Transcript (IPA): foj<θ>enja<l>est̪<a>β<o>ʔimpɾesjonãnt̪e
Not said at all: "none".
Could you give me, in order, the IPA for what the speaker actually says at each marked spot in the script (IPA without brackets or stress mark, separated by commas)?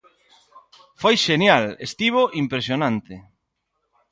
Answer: ʃ, l, i, o